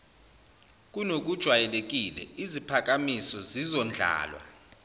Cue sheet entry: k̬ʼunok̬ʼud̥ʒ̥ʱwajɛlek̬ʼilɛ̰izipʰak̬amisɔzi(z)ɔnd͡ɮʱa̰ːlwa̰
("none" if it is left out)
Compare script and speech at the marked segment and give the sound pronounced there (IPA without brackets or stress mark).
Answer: z